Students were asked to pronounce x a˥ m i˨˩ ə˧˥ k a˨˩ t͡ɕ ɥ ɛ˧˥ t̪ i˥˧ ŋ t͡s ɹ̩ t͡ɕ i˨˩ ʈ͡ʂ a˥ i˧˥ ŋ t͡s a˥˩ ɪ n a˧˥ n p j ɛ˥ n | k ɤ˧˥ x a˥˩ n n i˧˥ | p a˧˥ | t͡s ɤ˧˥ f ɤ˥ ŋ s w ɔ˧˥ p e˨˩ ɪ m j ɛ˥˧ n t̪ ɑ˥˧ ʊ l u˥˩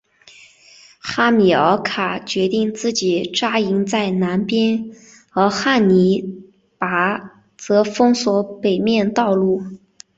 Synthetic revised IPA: x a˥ m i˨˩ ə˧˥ kʰ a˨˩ t͡ɕ ɥ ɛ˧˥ t̪ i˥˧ ŋ t͡s ɹ̩ t͡ɕ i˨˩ ʈ͡ʂ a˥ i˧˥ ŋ t͡s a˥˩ ɪ n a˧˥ n p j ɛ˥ n | x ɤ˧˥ x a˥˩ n n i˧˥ | p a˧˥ | t͡s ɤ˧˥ f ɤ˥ ŋ s w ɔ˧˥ p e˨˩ ɪ m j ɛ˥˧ n t̪ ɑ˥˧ ʊ l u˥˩